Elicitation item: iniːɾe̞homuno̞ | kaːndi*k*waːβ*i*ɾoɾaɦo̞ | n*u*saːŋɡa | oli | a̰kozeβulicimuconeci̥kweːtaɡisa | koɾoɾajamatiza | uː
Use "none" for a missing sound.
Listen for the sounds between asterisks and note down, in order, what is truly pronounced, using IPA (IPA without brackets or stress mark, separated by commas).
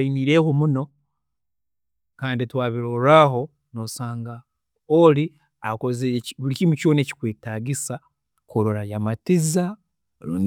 t, i, o